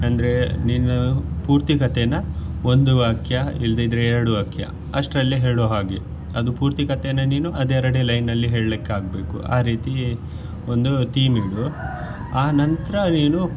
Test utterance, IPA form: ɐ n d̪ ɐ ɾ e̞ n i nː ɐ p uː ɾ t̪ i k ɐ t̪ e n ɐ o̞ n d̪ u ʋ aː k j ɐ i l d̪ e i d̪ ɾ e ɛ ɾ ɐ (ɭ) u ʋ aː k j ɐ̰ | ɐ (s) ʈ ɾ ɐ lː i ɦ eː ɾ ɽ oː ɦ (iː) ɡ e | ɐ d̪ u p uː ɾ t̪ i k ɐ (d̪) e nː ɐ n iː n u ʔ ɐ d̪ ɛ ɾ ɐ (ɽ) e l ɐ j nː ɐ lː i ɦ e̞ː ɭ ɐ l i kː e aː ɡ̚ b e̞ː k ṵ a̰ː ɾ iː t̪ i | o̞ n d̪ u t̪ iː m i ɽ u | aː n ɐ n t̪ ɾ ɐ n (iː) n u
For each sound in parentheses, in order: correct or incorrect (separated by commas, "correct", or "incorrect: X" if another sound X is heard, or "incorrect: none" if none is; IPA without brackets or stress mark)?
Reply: incorrect: ɽ, incorrect: ʂ, incorrect: aː, incorrect: t̪, correct, correct